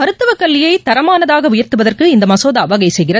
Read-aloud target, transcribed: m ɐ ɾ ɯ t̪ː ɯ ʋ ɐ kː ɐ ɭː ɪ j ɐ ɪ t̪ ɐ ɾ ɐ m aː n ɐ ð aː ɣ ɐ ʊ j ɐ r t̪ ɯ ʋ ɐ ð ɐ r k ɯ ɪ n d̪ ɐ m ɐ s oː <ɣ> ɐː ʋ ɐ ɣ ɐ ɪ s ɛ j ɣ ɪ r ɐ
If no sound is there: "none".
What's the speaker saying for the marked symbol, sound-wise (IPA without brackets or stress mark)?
ð